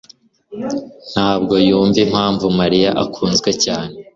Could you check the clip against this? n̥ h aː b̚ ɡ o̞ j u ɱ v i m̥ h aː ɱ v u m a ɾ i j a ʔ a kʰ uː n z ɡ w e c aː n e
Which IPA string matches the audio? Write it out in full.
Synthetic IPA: n̥ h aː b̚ ɡ o̞ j uː ɱ v i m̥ h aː ɱ v u m a ɾ i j a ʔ a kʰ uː n z ɡ w e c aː n e

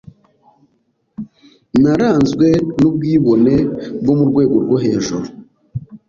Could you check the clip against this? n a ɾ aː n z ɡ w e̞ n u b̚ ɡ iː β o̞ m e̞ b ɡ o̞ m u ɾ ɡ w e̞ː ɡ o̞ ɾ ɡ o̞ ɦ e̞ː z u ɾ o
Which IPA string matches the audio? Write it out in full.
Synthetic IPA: n a ɾ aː n z ɡ w e̞ n u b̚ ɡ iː β o̞ n e̞ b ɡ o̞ m u ɾ ɡ w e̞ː ɡ o̞ ɾ ɡ o̞ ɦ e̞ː ʒ u ɾ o

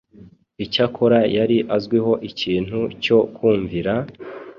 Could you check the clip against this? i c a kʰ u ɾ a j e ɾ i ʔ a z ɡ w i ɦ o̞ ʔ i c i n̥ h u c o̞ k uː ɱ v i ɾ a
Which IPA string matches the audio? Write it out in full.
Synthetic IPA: i c a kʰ o ɾ a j a ɾ i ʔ a z ɡ w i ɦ o̞ ʔ i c iː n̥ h u c o̞ k uː ɱ v i ɾ a

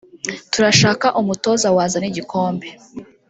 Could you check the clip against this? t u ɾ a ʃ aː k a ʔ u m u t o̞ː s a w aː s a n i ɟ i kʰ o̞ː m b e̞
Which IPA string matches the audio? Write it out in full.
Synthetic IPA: t u ɾ a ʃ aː k a ʔ u m u t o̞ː z a w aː z a n i ɟ i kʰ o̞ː m b e̞

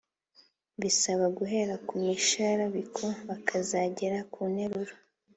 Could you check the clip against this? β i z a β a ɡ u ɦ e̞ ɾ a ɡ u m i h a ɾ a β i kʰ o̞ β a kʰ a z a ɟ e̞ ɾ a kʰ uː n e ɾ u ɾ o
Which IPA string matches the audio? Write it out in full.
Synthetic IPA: β i s a β a ɡ u ɦ e̞ ɾ a k u m i ʃ a ɾ a β i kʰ o̞ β a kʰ a z a ɟ e̞ ɾ a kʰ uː n e ɾ u ɾ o

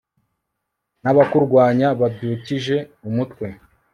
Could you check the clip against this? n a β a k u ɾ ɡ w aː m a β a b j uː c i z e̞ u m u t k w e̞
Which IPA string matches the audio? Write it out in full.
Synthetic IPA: n a β a k u ɾ ɡ w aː ɲ a β a b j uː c i ʒ e̞ u m u t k w e̞

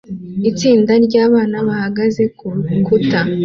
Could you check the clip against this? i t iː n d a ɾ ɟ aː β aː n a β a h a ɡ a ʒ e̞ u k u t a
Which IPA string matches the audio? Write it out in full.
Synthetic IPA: i t͡s iː n d a ɾ ɟ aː β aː n a β a h a ɡ a z e̞ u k u t a

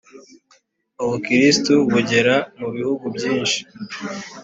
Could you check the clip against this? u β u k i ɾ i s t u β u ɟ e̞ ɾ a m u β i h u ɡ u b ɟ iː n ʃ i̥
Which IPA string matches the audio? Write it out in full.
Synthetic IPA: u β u k i ɾ i s t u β u ɟ e̞ ɾ a m u β i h u ɡ u b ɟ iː n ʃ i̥

